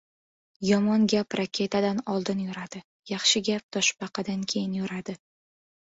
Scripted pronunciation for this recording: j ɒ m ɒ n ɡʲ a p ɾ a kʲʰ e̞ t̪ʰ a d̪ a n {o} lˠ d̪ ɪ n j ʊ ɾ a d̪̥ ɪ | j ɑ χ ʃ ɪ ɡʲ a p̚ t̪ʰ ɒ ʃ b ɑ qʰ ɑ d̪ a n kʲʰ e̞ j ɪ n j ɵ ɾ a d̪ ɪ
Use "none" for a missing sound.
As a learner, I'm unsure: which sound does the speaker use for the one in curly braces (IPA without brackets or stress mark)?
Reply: ɒ